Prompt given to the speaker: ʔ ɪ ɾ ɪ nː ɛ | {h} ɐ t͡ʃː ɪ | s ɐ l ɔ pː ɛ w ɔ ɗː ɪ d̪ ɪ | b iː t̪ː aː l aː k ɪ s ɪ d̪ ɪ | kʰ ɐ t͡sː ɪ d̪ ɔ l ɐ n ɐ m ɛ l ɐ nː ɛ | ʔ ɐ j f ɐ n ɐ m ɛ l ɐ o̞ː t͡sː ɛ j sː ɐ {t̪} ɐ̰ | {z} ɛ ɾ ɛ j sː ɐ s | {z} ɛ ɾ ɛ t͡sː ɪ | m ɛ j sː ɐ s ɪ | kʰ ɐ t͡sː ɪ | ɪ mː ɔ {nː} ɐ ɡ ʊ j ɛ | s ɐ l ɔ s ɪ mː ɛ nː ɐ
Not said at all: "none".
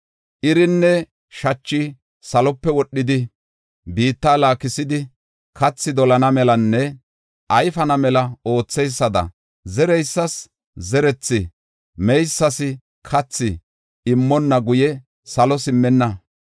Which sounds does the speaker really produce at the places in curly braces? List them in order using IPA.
ʃ, d̪, z, z, nː

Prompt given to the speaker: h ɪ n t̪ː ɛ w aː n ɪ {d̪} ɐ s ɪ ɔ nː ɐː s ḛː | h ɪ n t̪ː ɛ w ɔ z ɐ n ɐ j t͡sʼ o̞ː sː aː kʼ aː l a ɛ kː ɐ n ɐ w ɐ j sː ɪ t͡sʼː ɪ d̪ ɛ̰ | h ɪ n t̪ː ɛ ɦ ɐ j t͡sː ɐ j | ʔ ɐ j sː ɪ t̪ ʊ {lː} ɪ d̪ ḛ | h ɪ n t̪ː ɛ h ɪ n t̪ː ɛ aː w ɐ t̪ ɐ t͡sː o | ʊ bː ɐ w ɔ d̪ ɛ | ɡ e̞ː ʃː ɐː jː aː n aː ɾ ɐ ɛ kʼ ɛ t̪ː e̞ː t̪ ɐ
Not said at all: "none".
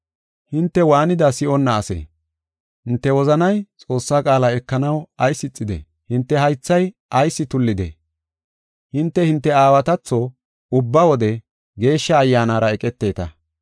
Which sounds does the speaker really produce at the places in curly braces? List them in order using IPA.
d̪, lː

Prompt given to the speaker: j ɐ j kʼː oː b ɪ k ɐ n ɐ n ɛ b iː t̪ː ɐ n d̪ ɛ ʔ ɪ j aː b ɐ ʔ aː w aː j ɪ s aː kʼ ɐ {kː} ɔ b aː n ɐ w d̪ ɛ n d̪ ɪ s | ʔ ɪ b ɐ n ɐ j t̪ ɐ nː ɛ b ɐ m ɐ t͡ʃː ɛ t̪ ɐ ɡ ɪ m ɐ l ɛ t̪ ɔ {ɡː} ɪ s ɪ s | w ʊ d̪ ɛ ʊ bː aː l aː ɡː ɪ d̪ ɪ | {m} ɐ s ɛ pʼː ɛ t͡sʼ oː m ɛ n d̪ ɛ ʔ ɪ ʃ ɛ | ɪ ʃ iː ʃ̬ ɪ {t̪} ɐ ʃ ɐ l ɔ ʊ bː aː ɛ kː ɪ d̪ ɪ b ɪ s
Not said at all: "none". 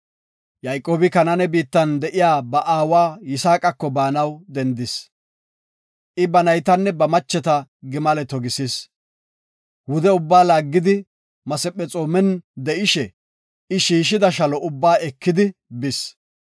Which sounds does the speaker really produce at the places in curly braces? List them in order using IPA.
kː, ɡ, m, d̪

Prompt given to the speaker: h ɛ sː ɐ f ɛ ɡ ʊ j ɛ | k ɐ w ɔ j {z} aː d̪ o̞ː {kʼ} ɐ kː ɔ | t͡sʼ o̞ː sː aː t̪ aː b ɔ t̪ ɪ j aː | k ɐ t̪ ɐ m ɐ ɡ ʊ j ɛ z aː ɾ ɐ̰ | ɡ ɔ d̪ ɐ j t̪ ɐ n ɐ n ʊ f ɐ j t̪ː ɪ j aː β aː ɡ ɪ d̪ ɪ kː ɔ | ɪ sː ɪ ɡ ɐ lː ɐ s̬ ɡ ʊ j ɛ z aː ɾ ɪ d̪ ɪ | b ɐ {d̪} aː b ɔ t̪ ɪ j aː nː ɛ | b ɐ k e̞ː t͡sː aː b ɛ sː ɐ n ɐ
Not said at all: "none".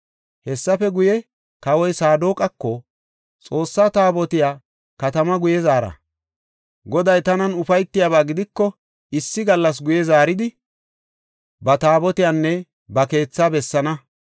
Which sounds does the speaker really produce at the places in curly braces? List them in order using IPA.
s, kʼ, t̪

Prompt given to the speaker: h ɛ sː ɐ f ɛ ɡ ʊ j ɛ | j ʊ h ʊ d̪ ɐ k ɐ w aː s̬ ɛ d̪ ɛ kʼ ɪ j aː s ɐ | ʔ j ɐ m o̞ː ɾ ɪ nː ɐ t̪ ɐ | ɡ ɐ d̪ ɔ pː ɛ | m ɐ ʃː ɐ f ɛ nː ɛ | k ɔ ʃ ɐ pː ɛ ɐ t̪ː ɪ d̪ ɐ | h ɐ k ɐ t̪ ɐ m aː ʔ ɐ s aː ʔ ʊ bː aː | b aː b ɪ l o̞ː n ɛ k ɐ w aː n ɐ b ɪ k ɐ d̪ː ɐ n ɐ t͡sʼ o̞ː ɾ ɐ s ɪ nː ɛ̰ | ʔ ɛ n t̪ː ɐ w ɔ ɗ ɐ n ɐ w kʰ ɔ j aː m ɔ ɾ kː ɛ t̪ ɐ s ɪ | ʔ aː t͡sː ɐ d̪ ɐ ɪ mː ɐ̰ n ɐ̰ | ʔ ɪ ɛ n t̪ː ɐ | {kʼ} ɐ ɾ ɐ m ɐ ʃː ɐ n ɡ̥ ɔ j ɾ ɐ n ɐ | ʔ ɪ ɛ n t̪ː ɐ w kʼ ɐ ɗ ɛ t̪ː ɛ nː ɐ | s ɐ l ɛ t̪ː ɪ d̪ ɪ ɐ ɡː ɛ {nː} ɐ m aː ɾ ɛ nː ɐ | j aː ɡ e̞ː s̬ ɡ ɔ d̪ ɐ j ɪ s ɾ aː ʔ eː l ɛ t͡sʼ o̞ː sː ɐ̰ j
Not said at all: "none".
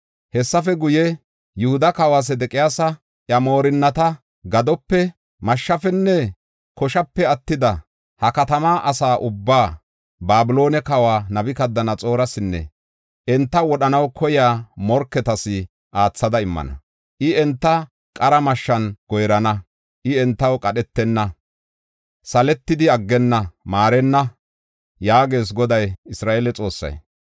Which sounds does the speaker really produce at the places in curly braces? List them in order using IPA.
kʼ, nː

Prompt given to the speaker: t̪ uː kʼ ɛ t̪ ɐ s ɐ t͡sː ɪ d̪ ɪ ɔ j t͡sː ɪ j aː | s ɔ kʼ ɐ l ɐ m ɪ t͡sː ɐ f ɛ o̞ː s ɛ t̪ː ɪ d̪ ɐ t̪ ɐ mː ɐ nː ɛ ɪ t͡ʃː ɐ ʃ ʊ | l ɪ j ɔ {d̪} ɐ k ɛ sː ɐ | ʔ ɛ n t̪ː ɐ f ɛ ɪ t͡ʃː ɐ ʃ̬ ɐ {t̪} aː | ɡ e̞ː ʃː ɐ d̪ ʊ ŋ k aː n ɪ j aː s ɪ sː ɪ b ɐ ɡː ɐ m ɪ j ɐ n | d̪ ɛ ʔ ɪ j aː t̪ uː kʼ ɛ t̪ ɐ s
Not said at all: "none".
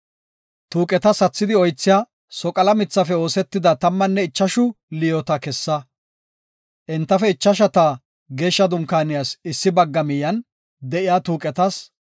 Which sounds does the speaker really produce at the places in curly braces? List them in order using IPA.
t̪, t̪

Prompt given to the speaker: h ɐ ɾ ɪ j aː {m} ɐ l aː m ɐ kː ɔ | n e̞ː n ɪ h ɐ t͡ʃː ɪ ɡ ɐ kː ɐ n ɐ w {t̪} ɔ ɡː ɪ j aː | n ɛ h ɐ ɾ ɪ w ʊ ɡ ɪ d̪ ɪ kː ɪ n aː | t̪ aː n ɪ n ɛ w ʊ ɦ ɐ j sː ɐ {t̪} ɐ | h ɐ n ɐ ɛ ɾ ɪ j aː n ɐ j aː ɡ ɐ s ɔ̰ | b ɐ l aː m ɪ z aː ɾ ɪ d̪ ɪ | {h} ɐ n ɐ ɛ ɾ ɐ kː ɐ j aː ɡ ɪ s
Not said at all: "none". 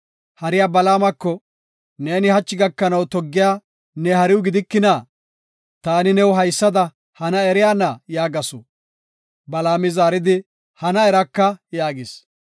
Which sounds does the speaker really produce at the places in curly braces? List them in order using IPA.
b, t̪, d̪, h

